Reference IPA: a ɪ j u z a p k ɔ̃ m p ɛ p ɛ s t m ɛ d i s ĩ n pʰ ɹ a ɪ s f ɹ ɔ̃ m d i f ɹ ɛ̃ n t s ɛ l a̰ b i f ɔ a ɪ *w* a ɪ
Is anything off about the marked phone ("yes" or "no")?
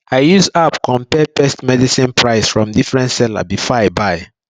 yes